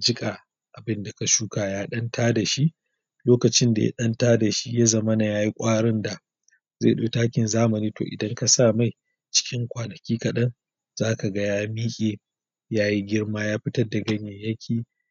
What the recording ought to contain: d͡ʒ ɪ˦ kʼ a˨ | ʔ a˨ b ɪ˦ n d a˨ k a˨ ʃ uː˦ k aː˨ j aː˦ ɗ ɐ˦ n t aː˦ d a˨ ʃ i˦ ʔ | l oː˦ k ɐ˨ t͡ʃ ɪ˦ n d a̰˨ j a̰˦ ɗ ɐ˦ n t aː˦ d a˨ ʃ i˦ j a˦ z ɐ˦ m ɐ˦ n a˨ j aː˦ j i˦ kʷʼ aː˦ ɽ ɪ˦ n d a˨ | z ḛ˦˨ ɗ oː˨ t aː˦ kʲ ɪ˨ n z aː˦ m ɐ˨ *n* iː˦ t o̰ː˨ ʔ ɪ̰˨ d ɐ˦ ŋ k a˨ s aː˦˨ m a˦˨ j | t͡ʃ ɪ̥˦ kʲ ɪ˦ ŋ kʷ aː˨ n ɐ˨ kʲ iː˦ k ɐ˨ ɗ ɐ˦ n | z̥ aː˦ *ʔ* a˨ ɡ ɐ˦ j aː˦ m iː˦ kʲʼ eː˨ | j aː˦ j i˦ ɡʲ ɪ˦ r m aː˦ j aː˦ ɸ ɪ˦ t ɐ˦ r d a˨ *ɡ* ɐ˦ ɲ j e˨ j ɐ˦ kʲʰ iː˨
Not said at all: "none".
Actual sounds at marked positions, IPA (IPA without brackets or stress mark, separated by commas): n, k, ɡ